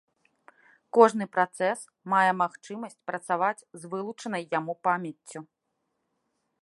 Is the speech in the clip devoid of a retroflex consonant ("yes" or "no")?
no